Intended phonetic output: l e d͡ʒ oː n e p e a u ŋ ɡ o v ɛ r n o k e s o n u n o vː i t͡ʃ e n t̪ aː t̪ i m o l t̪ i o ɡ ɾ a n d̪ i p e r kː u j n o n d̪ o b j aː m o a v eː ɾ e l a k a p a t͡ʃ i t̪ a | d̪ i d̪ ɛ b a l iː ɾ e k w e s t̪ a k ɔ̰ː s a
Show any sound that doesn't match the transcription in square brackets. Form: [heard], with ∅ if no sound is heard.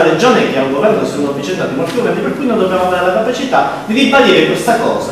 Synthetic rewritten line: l e d͡ʒ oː n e [k] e a u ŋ ɡ o v ɛ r n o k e s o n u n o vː i t͡ʃ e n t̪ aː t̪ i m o l t̪ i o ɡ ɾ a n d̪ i p e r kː u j n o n d̪ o b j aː m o a v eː ɾ e l a k a p a t͡ʃ i t̪ a | d̪ i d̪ [i] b a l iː ɾ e k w e s t̪ a k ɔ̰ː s a